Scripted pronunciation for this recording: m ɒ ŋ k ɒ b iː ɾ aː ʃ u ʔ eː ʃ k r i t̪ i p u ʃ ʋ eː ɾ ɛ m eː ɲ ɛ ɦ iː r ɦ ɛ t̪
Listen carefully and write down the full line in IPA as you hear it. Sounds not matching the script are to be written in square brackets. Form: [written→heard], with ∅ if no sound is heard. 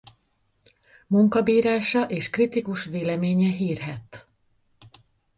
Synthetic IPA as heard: m [ɒ→u] ŋ k ɒ b iː ɾ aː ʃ [u→ɒ] ʔ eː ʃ k r i t̪ i [p→k] u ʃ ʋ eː [ɾ→l] ɛ m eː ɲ ɛ ɦ iː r ɦ ɛ t̪